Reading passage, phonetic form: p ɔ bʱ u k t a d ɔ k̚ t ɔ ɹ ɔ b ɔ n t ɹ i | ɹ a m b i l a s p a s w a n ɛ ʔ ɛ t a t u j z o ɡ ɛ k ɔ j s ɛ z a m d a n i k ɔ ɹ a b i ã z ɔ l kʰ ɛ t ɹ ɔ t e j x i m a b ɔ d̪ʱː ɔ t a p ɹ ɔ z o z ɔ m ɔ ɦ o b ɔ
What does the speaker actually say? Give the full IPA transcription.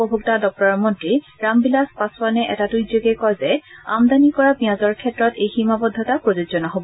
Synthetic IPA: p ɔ bʱ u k t a d ɔ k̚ t ɔ ɹ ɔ m ɔ n t ɹ i | ɹ a m b i l a s p a s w a n ɛ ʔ ɛ t a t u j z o ɡ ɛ k ɔ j z ɛ a m d a n i k ɔ ɹ a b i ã z ɔ ɹ kʰ ɛ t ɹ ɔ t e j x i m a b ɔ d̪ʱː ɔ t a p ɹ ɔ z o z ɔ n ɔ ɦ o b ɔ